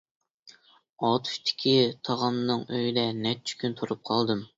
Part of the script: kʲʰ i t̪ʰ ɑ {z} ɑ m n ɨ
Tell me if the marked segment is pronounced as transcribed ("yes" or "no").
no